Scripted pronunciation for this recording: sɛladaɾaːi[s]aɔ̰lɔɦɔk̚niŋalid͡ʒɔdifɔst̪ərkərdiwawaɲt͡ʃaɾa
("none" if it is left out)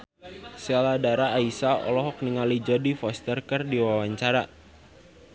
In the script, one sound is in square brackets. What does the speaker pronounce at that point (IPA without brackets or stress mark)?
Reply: s